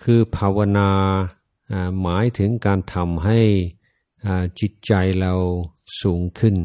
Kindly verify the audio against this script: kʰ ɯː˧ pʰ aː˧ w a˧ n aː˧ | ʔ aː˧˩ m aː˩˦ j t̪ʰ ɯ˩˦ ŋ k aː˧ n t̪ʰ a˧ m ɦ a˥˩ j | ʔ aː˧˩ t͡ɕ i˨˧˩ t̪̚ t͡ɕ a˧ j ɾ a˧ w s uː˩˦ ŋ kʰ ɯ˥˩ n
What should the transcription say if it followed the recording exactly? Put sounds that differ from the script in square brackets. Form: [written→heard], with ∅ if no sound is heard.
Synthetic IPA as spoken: kʰ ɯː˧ pʰ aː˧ w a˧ n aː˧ | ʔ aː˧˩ m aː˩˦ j t̪ʰ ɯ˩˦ ŋ k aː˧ n t̪ʰ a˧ m ɦ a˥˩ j | ʔ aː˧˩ t͡ɕ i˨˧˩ t̪̚ t͡ɕ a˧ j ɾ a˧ w s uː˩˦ ŋ kʰ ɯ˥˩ n